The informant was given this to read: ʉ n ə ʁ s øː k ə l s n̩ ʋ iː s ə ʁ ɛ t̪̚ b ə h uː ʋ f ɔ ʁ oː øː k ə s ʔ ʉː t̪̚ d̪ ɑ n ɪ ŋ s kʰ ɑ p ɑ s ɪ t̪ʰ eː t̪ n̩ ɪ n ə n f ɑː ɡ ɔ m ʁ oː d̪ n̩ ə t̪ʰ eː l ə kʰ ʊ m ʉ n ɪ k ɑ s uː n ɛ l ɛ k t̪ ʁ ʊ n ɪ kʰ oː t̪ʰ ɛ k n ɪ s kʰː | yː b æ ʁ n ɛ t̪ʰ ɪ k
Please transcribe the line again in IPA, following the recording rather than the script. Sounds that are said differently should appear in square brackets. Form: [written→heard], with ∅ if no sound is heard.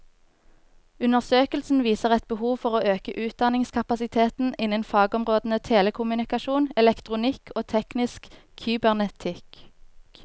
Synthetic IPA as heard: ʉ n ə ʁ s øː k ə l s n̩ ʋ iː s ə ʁ ɛ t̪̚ b ə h uː ʋ f ɔ ʁ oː øː k ə [s→∅] ʔ ʉː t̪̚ d̪ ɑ n ɪ ŋ s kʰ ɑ p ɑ s ɪ t̪ʰ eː t̪ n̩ ɪ n ə n f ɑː ɡ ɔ m ʁ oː d̪ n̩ ə t̪ʰ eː l ə kʰ ʊ m ʉ n ɪ k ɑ [s→ʃ] uː n ɛ l ɛ k t̪ ʁ ʊ n ɪ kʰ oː t̪ʰ ɛ k n ɪ s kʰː | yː b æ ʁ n ɛ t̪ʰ ɪ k